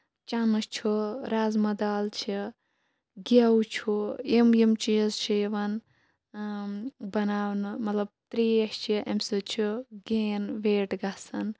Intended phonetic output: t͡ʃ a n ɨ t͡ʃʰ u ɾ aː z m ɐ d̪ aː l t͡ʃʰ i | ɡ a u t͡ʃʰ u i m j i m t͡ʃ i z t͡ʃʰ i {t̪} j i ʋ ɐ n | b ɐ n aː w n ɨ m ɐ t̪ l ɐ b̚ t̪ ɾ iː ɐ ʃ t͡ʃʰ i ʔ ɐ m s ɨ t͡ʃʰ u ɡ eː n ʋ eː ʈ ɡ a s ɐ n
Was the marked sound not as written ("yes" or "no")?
yes